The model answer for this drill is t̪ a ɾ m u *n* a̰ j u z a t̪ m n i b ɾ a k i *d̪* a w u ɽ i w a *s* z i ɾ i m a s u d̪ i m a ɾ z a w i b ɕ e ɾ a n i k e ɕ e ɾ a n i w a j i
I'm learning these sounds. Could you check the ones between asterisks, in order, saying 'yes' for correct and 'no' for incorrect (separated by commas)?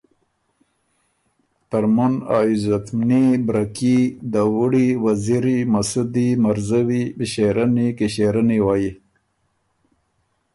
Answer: yes, yes, no